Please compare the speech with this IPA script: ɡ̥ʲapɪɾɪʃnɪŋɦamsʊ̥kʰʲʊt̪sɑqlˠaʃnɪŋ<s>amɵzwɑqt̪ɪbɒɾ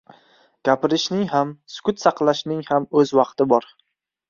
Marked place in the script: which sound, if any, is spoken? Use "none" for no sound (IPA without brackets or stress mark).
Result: h